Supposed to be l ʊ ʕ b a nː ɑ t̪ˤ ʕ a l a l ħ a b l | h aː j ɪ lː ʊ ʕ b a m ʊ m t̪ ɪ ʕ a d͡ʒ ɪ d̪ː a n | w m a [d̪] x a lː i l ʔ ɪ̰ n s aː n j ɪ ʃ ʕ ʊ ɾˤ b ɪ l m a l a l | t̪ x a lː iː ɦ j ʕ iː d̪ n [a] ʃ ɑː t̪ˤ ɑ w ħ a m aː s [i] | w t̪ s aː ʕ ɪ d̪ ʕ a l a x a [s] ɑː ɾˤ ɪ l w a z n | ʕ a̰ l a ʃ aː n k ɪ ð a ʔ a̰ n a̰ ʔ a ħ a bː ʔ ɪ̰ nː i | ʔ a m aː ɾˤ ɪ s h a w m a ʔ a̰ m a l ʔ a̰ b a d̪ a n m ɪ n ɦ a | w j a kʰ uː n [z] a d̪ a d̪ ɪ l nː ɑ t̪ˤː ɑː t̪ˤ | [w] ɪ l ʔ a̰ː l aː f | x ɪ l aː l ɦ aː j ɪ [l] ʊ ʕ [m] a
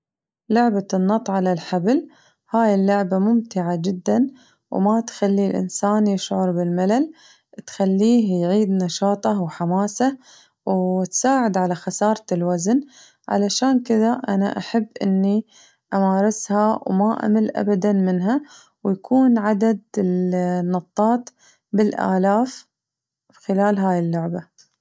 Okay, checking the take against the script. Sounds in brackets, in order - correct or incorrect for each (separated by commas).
incorrect, incorrect, incorrect, correct, incorrect, incorrect, incorrect, incorrect